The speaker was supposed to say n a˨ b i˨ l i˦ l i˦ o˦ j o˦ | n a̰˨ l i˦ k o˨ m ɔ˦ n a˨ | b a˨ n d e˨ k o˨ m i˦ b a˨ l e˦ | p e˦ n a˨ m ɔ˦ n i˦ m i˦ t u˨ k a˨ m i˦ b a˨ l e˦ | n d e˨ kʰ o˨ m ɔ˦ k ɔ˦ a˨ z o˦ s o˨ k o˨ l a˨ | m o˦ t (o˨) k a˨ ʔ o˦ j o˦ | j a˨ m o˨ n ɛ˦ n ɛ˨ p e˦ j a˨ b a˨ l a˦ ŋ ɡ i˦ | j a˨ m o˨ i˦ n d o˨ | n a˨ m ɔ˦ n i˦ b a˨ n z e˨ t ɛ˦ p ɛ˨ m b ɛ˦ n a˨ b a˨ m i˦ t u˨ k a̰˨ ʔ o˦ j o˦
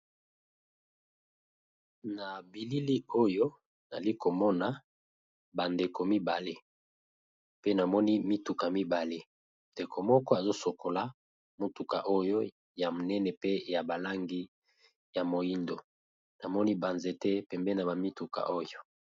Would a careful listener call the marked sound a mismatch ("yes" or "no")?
yes